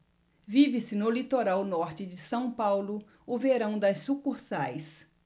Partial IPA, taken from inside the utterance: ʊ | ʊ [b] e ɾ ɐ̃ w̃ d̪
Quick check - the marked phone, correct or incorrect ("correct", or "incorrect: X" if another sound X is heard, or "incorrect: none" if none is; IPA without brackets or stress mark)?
incorrect: v